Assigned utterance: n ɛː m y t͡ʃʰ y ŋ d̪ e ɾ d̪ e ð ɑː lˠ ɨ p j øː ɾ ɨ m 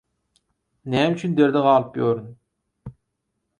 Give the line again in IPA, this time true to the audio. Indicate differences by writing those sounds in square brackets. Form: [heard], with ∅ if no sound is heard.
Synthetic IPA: n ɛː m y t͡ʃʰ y [n] d̪ e ɾ d̪ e [ʁ] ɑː lˠ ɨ p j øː ɾ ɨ [n]